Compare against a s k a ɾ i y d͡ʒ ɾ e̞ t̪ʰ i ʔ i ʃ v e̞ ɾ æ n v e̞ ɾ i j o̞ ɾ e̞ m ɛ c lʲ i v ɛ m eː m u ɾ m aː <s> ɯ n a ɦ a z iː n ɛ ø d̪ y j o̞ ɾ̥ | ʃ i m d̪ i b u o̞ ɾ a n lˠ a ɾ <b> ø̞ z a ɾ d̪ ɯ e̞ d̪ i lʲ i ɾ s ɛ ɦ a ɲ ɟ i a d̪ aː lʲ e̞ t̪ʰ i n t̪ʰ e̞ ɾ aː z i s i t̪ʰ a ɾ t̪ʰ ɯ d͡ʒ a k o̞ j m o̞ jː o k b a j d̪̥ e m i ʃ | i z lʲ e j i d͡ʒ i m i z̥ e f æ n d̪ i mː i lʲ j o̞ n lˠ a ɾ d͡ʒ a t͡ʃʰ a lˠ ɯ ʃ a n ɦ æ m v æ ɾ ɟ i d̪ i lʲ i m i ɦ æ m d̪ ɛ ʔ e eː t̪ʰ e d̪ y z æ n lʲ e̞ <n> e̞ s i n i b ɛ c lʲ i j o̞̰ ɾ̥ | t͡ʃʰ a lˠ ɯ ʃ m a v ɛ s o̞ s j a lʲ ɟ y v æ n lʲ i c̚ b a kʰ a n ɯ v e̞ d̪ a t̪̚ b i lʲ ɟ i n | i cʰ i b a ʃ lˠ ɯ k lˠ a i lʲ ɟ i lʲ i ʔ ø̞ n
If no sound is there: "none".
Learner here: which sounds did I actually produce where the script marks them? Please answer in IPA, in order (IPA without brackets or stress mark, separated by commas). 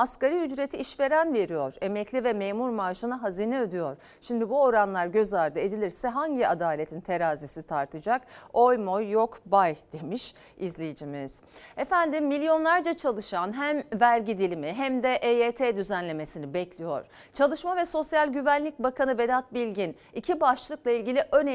ʃ, ɟ, m